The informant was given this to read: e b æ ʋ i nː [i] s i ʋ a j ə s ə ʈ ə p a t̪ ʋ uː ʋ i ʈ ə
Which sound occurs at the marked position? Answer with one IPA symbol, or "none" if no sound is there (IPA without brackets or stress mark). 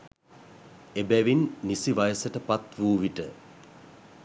i